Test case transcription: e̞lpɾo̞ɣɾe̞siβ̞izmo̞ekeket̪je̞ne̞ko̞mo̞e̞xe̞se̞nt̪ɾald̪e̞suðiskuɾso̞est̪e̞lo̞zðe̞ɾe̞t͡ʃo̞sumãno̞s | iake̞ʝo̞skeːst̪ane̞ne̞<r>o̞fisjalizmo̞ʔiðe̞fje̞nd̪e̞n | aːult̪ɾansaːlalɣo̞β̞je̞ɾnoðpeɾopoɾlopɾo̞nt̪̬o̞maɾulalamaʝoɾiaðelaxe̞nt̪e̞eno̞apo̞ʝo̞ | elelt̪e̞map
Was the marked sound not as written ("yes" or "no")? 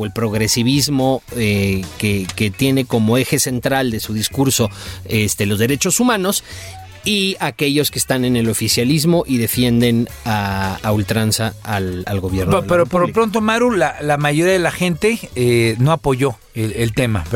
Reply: yes